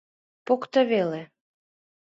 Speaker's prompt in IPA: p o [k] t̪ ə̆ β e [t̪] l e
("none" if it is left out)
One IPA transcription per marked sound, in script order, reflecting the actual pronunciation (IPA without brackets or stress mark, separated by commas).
k, none